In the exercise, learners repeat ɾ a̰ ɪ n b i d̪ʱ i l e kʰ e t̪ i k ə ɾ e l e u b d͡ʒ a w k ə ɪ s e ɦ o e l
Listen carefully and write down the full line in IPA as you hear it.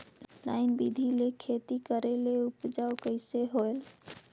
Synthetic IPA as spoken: l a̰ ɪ n b i d̪ʱ i l e kʰ e t̪ i k ə ɾ e l e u p d͡ʒ a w k ə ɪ s e ɦ o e l

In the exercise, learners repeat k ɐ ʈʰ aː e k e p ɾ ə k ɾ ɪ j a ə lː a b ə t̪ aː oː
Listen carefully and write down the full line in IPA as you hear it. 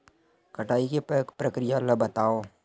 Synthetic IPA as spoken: k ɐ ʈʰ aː i k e p ɾ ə k ɾ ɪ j a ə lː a b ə t̪ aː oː

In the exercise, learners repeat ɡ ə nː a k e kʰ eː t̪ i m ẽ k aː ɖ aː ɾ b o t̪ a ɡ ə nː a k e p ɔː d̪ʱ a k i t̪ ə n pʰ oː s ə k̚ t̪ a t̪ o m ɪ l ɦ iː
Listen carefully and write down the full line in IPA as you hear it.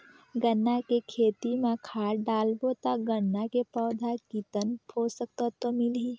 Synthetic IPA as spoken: ɡ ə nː a k e kʰ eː t̪ i m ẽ kʰ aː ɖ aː l b o t̪ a ɡ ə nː a k e p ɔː d̪ʱ a k i t̪ ə n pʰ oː s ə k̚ t̪ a t̪ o m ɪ l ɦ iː

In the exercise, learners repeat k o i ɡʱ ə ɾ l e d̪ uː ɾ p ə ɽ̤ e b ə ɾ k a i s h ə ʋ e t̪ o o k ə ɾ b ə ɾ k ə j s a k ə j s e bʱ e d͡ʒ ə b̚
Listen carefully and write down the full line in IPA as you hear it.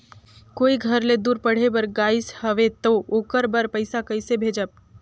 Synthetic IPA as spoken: k o i ɡʱ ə ɾ l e d̪ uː ɾ p ə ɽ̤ e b ə ɾ ɡ a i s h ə ʋ e t̪ o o k ə ɾ b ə ɾ p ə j s a k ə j s e bʱ e d͡ʒ ə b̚

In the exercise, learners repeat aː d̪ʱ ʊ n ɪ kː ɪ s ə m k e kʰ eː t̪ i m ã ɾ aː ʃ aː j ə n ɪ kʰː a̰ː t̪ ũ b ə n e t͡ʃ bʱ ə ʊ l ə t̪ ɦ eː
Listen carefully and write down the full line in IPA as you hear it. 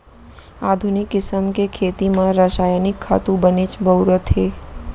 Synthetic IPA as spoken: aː d̪ʱ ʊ n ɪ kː ɪ s ə m k e kʰ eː t̪ i m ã ɾ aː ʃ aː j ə n ɪ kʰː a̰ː t̪ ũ b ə n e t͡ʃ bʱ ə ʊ ɾ ə t̪ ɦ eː

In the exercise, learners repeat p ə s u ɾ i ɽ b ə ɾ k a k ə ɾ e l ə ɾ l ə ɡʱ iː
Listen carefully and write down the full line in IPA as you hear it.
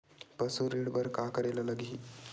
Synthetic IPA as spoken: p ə s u ɾ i ɽ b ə ɾ k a k ə ɾ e l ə l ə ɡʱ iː

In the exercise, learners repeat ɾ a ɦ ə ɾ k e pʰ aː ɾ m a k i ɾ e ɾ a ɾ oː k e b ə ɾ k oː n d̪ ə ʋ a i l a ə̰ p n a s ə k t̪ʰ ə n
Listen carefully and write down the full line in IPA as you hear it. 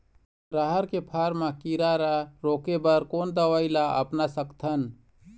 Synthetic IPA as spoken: ɾ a ɦ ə ɾ k e pʰ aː ɾ m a k i ɾ a ɾ a ɾ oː k e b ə ɾ k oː n d̪ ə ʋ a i l a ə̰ p n a s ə k t̪ʰ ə n

